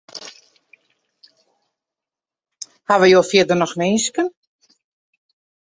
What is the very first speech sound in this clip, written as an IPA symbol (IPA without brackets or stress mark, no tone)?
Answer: h